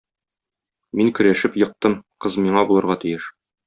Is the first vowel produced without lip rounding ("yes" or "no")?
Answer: yes